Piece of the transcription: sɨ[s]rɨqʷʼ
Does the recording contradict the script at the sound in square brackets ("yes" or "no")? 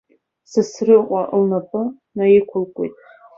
no